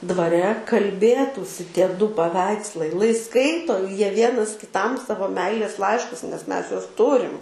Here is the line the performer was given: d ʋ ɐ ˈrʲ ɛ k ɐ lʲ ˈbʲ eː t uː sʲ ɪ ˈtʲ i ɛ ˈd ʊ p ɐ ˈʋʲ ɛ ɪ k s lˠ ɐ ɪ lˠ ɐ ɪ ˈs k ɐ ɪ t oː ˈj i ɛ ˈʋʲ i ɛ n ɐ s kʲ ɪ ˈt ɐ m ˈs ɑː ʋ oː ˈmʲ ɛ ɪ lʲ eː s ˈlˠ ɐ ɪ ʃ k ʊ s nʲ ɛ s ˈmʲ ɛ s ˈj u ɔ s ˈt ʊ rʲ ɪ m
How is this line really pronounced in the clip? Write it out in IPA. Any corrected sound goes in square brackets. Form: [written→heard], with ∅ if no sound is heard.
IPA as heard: d ʋ ɐ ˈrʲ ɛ k ɐ lʲ ˈbʲ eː t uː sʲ ɪ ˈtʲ i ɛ ˈd ʊ p ɐ ˈʋʲ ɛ ɪ k s lˠ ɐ ɪ lˠ ɐ ɪ ˈs k ɐ ɪ t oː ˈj i ɛ ˈʋʲ i ɛ n ɐ s kʲ ɪ ˈt ɐ m ˈs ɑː ʋ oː ˈmʲ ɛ ɪ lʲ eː s ˈlˠ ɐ ɪ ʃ k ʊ s nʲ ɛ s ˈmʲ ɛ s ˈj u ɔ s ˈt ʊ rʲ ɪ m